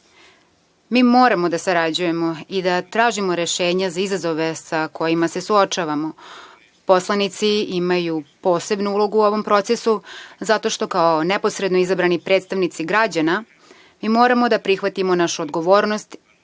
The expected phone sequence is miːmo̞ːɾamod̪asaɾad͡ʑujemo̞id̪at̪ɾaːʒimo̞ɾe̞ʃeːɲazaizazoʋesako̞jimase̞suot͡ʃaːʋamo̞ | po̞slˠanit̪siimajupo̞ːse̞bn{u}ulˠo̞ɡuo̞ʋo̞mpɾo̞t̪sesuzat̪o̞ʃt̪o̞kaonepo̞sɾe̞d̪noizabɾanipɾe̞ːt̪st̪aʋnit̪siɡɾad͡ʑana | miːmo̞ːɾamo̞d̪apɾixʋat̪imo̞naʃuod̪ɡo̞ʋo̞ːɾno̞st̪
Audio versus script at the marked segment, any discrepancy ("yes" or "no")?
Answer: no